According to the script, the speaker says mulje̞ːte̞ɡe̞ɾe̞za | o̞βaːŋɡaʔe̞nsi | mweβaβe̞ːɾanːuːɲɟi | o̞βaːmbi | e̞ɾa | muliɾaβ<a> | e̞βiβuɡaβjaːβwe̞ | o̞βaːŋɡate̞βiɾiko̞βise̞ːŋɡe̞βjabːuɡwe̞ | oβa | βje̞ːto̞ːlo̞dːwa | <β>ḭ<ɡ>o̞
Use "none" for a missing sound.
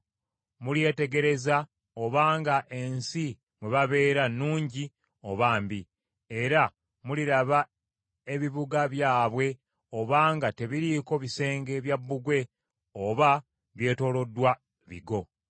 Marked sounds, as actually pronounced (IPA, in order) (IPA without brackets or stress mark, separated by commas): a, β, ɡ